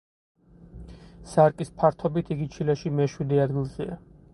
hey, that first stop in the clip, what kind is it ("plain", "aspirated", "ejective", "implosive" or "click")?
ejective